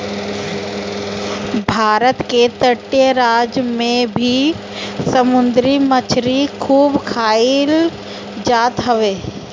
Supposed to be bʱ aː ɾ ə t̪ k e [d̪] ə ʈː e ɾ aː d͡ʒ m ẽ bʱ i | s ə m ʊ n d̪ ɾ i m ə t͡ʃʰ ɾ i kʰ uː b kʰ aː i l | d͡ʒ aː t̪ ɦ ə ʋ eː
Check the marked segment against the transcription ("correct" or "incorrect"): incorrect